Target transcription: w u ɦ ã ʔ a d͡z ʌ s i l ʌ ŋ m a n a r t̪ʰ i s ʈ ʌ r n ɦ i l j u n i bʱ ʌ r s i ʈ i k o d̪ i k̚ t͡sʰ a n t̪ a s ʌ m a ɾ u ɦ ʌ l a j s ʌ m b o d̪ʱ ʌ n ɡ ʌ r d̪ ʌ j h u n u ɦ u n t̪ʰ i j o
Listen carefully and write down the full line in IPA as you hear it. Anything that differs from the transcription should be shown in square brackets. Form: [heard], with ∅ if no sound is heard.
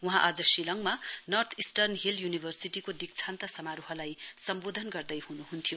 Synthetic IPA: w u ɦ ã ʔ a d͡z ʌ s i l ʌ ŋ m a n [ʌ] r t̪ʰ i s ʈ ʌ r n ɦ i l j u n i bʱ ʌ r s i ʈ i k o d̪ i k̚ t͡sʰ a n t̪ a s ʌ m a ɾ u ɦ ʌ l a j s ʌ m b o d̪ʱ ʌ n ɡ ʌ r d̪ ʌ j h u n u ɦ u n t̪ʰ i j o